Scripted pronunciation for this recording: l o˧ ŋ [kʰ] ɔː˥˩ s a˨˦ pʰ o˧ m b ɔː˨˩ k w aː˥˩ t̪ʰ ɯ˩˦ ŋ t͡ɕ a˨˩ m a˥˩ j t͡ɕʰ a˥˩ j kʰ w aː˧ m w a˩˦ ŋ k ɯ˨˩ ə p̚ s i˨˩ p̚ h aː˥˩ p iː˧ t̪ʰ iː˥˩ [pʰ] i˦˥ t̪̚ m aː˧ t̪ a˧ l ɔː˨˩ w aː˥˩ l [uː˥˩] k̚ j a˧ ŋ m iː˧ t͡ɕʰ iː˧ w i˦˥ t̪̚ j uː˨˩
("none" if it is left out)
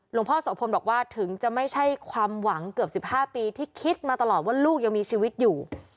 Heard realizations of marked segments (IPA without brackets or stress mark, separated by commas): pʰ, kʰ, uː˥˩